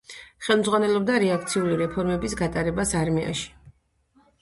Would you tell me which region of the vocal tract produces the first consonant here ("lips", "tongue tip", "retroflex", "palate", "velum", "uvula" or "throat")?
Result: uvula